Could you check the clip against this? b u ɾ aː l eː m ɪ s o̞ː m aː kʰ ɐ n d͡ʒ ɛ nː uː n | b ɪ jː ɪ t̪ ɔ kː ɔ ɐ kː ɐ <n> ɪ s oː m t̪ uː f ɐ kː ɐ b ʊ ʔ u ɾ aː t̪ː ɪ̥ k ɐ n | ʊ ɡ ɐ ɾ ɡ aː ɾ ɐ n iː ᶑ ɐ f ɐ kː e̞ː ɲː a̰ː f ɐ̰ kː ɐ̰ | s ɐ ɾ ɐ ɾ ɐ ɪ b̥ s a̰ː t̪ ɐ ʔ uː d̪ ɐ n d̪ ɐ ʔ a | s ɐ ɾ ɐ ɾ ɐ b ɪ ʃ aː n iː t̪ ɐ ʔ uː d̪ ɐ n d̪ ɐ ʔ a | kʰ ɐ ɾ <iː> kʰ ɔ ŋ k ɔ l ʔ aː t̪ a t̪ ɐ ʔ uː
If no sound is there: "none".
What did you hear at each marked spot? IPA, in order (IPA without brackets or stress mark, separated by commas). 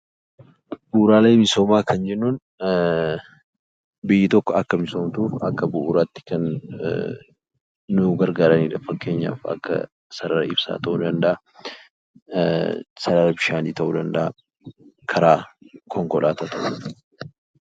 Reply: m, aː